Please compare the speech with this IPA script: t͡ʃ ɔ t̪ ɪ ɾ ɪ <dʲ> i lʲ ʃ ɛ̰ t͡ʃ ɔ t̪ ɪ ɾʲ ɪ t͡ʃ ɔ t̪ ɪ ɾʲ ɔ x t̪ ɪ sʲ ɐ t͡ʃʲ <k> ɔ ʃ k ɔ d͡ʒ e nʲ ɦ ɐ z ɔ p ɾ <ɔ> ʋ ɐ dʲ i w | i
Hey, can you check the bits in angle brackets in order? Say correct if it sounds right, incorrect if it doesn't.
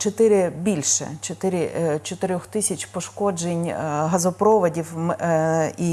incorrect: bʲ, incorrect: p, correct

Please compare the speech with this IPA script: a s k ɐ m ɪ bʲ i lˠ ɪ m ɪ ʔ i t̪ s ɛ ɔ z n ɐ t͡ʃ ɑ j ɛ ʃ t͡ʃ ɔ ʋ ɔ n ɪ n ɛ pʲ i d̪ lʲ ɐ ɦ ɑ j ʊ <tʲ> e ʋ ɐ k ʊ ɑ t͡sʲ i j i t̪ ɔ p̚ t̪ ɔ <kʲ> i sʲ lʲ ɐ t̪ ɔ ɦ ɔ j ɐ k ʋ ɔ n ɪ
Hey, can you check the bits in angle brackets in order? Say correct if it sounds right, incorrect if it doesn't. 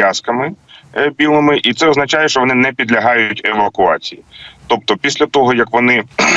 correct, incorrect: pʲ

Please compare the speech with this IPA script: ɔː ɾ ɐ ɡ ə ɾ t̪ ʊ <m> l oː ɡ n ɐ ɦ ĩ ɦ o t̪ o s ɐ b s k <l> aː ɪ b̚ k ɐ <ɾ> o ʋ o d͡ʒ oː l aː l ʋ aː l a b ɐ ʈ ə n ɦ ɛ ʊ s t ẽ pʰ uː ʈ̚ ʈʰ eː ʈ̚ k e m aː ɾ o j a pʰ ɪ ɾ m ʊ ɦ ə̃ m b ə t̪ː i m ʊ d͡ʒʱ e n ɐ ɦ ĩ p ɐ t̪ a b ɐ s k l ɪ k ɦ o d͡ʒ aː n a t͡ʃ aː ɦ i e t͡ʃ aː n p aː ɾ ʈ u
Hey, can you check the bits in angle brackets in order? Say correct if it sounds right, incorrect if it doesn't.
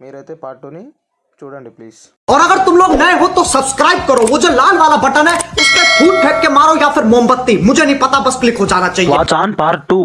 correct, incorrect: ɾ, correct

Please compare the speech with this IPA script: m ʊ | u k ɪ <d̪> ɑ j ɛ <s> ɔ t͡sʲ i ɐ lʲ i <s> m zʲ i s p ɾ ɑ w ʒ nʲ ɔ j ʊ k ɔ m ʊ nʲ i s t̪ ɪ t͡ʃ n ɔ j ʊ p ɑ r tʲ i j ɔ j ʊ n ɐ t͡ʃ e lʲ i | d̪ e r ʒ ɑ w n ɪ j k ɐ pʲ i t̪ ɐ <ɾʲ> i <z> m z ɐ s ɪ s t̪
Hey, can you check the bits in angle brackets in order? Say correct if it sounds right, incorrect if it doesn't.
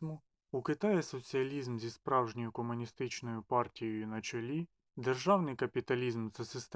incorrect: t̪, correct, incorrect: z, incorrect: lʲ, correct

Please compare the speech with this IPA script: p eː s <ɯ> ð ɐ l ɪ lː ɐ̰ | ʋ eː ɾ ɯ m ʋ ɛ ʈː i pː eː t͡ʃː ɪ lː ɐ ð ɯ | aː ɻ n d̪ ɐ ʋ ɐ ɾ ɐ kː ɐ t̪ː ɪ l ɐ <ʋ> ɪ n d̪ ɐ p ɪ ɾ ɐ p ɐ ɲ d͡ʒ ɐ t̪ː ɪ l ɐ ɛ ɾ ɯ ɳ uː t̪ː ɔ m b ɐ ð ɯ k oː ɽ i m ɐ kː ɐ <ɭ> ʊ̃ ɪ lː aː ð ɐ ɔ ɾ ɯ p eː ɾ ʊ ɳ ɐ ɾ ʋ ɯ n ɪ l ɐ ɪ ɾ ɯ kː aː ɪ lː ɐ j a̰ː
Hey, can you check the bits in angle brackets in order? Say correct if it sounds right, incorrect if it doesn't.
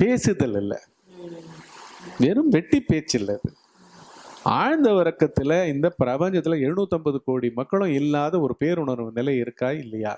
correct, incorrect: none, correct

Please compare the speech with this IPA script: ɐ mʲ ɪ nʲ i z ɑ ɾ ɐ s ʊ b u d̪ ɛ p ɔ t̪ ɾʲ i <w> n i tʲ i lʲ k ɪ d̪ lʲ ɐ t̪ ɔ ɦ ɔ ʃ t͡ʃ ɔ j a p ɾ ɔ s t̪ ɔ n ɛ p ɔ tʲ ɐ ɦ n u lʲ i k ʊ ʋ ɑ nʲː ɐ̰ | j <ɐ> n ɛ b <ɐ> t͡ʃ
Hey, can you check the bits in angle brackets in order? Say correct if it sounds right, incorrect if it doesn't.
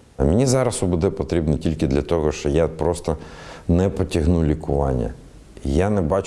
incorrect: b, incorrect: a, incorrect: ɑ

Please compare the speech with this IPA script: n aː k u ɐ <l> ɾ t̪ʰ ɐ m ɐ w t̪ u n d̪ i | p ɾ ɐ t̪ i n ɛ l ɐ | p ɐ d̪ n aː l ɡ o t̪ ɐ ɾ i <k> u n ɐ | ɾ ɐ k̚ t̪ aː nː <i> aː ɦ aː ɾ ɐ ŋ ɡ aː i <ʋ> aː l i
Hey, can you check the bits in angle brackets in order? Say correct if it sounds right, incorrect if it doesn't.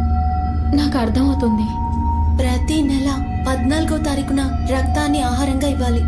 incorrect: none, correct, correct, incorrect: ʋː

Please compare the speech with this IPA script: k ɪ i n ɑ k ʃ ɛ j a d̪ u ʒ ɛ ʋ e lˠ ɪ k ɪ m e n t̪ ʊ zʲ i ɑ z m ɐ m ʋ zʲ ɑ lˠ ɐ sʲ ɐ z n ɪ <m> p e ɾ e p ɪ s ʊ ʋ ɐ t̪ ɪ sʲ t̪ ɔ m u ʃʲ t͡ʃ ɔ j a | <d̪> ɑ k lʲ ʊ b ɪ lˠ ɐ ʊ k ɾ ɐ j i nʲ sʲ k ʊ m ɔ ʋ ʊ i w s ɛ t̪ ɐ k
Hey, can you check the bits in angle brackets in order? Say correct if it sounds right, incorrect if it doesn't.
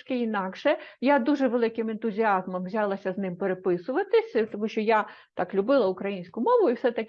correct, incorrect: t̪

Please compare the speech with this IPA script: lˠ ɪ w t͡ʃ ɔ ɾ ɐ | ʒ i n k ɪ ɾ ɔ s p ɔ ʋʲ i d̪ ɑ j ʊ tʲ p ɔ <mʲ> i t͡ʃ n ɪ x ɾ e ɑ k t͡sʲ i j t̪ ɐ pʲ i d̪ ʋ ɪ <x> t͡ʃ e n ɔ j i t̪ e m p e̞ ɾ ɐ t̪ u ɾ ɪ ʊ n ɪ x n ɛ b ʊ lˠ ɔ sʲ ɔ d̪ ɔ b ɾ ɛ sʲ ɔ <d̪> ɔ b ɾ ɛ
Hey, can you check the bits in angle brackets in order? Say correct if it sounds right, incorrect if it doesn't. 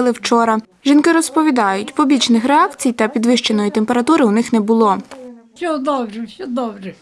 incorrect: bʲ, incorrect: ʃ, correct

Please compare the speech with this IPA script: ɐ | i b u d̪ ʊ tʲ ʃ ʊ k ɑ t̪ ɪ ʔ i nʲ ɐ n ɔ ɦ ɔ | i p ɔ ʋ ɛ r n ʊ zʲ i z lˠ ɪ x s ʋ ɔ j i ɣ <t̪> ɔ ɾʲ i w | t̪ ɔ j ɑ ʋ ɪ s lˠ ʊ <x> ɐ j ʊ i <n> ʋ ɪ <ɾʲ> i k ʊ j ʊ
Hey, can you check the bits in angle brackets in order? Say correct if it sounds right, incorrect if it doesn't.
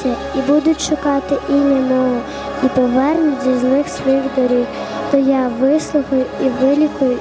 incorrect: d̪, correct, incorrect: none, incorrect: lʲ

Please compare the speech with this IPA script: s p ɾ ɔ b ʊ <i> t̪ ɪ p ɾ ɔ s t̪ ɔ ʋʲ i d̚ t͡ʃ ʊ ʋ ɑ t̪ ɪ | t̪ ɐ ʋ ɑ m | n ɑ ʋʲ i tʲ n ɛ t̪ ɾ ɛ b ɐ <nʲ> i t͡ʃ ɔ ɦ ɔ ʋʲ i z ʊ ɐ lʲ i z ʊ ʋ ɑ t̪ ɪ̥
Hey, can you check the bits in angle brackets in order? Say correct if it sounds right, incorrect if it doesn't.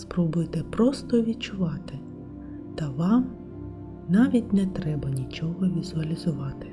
incorrect: j, correct

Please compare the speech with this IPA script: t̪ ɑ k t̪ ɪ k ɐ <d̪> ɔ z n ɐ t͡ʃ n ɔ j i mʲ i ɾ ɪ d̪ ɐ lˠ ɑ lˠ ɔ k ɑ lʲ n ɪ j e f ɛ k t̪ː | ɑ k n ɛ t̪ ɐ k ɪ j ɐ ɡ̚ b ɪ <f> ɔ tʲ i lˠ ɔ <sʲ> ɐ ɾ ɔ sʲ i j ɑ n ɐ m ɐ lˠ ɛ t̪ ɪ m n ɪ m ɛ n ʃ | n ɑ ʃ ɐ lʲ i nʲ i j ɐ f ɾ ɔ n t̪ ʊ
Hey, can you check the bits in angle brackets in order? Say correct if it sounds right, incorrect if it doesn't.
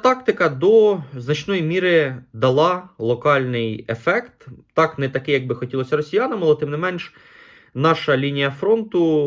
correct, incorrect: x, correct

